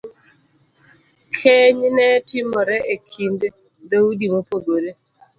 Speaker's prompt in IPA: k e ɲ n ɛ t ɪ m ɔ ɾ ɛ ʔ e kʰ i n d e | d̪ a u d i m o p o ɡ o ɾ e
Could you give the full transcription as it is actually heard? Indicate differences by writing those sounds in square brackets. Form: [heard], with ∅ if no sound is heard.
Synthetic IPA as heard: [kʰ] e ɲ n ɛ t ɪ m ɔ ɾ ɛ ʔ e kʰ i n d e | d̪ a u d i m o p o ɡ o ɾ e